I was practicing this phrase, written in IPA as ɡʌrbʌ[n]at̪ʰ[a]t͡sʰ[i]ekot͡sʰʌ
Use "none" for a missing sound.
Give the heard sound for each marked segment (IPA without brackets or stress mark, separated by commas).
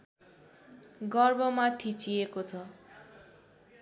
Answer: m, i, i